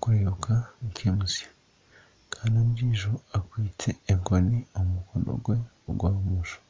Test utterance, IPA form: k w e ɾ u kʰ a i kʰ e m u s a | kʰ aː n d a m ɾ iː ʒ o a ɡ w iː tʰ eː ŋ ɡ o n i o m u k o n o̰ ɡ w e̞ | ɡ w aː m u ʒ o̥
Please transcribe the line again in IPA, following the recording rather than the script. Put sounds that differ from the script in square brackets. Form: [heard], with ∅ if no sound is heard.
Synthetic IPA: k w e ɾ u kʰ a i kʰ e m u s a | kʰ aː n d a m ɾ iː ʒ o a [k] w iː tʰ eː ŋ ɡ o n i o m u k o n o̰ ɡ w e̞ | ɡ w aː m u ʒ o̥